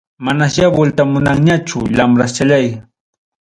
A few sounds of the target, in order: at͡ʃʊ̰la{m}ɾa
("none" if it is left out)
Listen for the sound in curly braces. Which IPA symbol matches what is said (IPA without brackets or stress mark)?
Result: m